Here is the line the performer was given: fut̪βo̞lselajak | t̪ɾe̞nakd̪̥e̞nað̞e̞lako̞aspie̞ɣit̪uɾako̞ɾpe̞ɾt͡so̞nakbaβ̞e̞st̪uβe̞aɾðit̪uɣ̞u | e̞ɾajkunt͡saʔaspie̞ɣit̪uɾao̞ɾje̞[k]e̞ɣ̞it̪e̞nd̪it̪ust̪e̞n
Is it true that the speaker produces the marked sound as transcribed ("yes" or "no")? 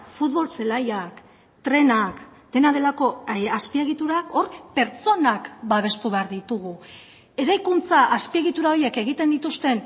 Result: yes